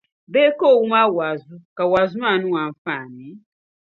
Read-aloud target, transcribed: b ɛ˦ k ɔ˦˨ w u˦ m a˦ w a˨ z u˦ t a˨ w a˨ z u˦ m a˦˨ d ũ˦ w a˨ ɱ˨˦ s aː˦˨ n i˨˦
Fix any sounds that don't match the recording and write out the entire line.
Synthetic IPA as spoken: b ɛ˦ k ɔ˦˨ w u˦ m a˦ w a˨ z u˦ k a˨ w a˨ z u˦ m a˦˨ n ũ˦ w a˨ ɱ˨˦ f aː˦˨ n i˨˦